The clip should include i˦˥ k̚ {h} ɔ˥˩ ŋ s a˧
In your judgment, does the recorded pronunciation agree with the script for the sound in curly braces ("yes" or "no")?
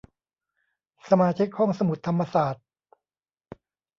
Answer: yes